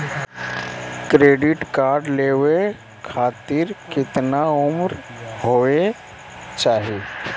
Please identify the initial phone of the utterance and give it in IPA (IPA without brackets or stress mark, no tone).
k